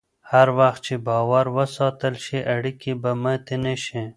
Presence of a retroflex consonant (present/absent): present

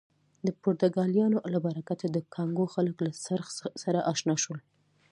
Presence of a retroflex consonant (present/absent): absent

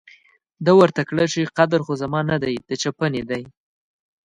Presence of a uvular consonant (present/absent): present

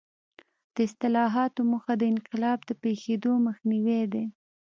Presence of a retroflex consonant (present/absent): absent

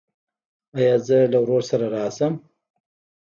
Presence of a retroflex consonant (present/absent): absent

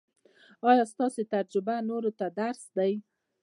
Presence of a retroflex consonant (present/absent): absent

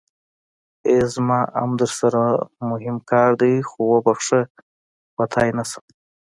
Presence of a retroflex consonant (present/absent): present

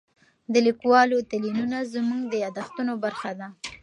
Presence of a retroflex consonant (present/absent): absent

